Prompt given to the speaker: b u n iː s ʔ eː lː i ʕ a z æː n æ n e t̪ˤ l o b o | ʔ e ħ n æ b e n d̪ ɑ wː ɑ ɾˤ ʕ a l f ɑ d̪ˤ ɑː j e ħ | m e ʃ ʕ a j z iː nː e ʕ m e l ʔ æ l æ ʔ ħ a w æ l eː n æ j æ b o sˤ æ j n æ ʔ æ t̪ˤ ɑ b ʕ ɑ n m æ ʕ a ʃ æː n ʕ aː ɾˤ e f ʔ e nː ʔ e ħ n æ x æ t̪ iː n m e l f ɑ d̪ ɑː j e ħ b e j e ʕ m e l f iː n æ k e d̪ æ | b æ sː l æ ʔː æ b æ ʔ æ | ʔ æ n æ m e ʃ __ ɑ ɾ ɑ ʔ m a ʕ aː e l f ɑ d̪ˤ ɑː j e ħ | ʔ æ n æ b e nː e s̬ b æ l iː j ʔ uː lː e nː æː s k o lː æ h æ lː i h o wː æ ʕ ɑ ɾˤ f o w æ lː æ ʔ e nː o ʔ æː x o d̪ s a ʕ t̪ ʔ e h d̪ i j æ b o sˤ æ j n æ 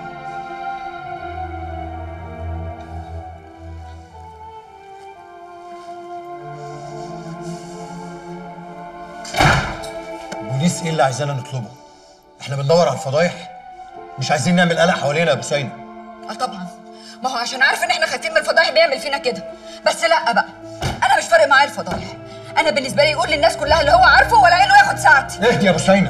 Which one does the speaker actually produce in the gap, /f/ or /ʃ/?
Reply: f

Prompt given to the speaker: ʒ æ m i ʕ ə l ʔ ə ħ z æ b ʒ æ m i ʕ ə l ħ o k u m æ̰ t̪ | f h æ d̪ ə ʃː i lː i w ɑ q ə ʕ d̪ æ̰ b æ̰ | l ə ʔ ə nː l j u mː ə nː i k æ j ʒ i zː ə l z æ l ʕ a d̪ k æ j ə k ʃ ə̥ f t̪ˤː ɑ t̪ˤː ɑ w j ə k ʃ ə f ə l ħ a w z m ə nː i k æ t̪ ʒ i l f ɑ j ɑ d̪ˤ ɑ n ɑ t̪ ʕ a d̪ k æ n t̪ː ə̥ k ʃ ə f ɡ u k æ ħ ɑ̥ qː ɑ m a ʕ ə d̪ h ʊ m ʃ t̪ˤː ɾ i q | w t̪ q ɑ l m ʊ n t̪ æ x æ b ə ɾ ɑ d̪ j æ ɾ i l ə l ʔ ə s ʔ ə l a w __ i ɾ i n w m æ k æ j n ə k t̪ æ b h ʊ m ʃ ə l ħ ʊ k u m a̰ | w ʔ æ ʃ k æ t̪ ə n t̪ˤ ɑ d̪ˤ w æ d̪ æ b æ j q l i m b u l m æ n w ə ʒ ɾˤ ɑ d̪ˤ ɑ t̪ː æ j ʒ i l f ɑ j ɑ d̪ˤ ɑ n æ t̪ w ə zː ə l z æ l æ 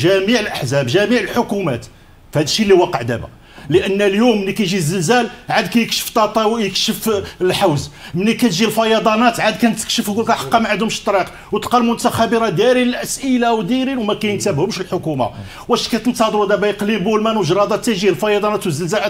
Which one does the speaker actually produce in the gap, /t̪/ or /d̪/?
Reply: d̪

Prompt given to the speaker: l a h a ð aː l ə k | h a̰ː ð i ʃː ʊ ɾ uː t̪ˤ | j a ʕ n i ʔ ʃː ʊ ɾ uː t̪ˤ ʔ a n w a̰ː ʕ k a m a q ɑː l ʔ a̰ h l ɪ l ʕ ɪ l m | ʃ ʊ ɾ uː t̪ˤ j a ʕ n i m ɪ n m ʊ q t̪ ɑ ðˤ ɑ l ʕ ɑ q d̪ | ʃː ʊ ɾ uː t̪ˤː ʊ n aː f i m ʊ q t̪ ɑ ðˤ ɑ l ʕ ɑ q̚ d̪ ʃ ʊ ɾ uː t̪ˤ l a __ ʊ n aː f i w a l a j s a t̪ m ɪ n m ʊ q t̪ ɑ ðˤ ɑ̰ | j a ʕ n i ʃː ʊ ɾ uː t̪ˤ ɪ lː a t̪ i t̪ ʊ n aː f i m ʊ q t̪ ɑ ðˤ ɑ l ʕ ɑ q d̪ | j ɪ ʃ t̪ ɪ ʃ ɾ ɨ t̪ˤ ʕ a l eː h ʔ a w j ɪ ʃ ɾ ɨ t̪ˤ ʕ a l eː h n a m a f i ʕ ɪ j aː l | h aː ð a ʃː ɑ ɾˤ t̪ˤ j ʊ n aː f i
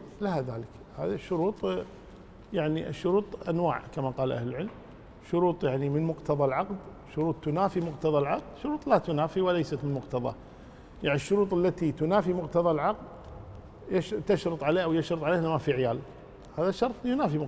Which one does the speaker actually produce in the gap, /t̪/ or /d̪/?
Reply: t̪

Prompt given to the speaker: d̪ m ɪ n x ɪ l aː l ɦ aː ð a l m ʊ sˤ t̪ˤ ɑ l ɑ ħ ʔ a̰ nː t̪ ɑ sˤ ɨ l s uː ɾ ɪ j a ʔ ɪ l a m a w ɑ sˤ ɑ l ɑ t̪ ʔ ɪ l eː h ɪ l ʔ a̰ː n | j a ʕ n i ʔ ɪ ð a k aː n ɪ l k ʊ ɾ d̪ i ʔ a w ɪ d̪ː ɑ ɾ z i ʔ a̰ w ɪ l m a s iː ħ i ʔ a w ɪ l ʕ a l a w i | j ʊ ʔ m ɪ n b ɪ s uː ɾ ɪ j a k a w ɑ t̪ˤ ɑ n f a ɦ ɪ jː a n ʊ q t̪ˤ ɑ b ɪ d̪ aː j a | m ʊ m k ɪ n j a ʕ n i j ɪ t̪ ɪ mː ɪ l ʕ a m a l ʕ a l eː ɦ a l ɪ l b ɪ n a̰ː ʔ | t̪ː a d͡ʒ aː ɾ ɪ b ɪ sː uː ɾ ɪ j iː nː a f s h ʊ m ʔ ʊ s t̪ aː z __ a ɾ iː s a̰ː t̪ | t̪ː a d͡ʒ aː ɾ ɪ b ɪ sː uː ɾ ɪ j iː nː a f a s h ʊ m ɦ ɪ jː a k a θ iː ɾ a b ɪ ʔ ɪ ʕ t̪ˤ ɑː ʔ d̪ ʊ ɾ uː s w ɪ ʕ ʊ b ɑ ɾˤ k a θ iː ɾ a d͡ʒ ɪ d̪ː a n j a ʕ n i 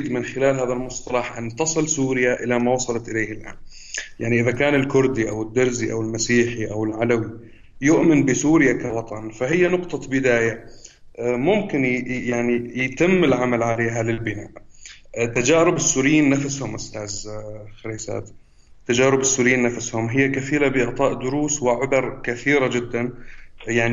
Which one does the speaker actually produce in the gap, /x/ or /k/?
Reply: x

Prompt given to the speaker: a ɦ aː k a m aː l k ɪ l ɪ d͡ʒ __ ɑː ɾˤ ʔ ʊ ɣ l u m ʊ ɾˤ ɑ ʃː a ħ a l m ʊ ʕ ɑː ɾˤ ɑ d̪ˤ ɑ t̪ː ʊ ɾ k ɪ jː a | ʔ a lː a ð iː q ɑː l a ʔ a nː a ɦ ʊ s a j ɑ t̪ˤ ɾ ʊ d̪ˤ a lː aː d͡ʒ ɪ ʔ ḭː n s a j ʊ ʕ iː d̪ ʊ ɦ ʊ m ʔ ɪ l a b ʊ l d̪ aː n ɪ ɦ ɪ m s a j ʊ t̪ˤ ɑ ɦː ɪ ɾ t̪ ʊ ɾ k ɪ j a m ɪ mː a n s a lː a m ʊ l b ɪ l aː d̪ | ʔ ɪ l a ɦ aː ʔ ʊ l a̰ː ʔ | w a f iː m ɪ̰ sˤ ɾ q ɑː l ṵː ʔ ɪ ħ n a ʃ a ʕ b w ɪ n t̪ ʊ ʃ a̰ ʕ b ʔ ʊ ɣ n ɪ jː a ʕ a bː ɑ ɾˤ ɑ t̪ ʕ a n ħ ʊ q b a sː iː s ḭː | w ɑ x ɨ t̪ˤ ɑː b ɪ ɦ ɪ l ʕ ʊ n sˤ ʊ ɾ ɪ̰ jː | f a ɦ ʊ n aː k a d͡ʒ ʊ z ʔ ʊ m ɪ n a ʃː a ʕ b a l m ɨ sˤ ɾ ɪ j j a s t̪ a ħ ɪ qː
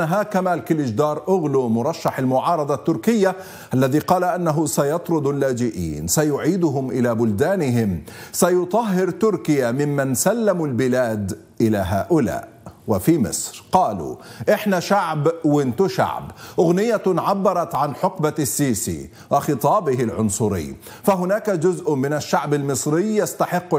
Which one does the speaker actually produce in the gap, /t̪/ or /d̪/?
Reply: d̪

